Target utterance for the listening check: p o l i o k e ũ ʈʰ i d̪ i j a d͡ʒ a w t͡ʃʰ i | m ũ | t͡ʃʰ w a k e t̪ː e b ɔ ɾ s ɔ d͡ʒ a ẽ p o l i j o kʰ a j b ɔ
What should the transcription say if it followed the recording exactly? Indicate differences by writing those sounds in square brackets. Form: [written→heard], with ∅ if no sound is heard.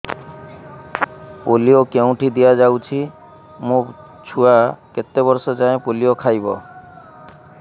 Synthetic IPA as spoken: p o l i o k e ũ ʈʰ i d̪ i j a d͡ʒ a w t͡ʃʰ i | m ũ | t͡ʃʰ [w→u] a k e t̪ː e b ɔ ɾ s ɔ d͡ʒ a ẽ p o l i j o kʰ a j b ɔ